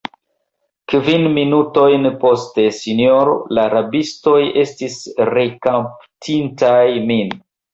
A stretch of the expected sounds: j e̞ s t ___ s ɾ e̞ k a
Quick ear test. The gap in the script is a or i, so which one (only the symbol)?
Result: i